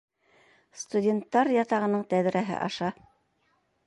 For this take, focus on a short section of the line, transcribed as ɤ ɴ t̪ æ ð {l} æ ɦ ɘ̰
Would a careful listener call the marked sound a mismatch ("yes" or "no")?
yes